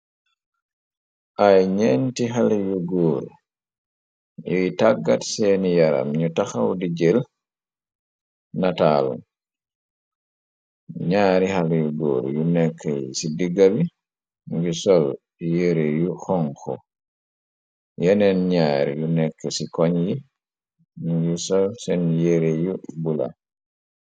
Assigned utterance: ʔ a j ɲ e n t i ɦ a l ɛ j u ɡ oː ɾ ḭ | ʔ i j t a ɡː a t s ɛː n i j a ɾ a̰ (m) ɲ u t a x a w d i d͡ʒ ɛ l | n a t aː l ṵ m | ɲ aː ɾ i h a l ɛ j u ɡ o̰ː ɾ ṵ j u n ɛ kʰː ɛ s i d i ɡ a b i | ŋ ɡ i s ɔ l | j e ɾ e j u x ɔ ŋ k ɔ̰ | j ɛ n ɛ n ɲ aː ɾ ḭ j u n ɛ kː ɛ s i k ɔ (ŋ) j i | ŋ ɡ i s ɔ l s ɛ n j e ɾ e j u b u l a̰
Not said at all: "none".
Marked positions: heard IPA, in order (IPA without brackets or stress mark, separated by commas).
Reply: m, ɲ